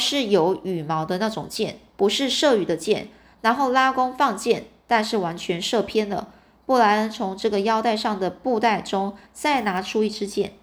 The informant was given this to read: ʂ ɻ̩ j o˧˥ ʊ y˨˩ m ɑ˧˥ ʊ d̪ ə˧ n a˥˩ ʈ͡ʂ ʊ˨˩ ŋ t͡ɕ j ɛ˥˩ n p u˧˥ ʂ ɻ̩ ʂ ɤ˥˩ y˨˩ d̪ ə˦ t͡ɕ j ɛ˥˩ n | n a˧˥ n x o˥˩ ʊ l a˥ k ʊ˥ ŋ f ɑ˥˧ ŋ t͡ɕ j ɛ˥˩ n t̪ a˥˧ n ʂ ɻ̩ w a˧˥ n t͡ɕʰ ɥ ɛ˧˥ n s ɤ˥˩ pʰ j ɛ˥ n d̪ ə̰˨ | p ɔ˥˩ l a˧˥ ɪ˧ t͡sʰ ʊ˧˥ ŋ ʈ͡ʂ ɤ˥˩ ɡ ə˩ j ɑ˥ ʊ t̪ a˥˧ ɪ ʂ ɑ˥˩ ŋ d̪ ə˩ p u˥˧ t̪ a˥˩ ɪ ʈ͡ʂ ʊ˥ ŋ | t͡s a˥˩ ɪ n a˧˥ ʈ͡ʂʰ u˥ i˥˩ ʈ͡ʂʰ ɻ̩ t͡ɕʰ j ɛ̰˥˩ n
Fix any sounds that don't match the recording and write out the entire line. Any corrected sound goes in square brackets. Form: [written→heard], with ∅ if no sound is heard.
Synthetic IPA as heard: ʂ ɻ̩ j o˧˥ ʊ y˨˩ m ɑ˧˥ ʊ d̪ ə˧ n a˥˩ ʈ͡ʂ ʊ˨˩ ŋ t͡ɕ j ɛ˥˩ n p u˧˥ ʂ ɻ̩ ʂ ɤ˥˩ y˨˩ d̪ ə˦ t͡ɕ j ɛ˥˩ n | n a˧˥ n x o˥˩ ʊ l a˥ k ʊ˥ ŋ f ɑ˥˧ ŋ t͡ɕ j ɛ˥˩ n t̪ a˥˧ n ʂ ɻ̩ w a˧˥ n t͡ɕʰ ɥ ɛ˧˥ n [s→ʂ] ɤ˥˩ pʰ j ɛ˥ n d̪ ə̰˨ | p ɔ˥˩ l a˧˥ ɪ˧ t͡sʰ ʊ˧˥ ŋ ʈ͡ʂ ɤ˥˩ ɡ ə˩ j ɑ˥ ʊ t̪ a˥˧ ɪ ʂ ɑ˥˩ ŋ d̪ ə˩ p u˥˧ t̪ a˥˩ ɪ ʈ͡ʂ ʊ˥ ŋ | t͡s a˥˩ ɪ n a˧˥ ʈ͡ʂʰ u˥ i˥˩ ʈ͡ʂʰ ɻ̩ [t͡ɕʰ→t͡ɕ] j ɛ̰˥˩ n